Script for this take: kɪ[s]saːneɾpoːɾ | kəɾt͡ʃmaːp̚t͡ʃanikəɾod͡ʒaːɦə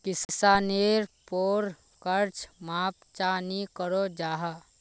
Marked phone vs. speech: correct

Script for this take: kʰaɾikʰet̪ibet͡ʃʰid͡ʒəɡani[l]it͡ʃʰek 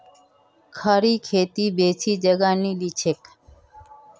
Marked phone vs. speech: correct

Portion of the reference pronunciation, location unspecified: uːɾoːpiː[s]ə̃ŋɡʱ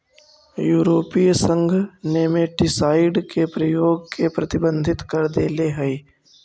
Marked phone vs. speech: correct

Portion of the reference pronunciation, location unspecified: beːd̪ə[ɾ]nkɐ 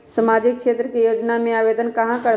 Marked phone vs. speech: incorrect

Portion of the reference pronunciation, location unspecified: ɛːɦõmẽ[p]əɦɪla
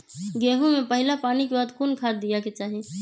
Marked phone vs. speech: correct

